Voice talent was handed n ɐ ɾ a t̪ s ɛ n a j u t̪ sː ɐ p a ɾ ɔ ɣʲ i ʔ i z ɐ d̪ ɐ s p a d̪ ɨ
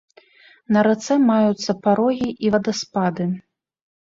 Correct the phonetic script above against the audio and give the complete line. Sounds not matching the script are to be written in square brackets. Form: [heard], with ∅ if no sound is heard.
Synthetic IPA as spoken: n ɐ ɾ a t̪ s ɛ [m] a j u t̪ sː ɐ p a ɾ ɔ ɣʲ i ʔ i [v] ɐ d̪ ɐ s p a d̪ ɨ